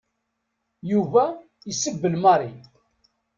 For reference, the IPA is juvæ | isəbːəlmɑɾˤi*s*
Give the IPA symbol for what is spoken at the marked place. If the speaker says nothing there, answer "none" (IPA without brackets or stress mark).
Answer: none